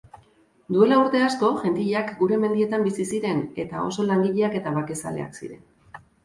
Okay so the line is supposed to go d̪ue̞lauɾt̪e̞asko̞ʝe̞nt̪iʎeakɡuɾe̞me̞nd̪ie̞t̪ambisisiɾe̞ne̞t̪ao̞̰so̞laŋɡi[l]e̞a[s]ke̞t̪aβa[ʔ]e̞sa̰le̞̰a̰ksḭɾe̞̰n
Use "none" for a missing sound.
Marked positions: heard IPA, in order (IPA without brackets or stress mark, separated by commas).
ʎ, none, k